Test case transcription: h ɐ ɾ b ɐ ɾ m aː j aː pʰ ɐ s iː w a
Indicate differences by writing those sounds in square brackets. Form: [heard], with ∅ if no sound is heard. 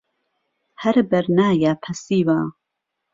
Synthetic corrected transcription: h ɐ ɾ b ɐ ɾ [n] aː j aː pʰ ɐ s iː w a